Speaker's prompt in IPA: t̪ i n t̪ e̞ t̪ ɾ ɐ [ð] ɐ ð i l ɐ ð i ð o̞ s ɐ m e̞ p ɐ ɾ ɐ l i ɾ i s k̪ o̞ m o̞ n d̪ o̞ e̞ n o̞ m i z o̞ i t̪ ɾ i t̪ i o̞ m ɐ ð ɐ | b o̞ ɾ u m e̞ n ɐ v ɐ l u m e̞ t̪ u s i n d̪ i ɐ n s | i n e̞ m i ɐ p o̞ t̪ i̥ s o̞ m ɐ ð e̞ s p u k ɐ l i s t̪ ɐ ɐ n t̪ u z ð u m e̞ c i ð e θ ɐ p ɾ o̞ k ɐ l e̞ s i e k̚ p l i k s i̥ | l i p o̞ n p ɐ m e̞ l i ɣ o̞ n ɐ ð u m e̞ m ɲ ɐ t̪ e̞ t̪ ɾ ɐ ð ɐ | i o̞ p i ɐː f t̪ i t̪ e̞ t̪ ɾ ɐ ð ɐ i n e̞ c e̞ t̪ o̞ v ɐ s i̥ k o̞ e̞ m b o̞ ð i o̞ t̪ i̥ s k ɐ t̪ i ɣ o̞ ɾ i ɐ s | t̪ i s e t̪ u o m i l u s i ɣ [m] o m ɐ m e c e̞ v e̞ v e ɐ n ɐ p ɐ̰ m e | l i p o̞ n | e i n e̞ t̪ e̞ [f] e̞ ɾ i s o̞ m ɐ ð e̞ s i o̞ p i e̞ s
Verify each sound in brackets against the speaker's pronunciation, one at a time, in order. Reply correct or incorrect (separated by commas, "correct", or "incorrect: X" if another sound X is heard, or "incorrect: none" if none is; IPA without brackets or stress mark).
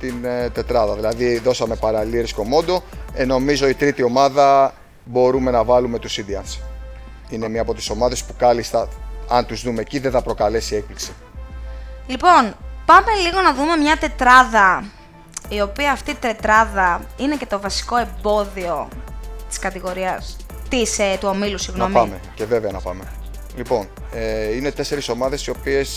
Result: correct, incorrect: n, incorrect: s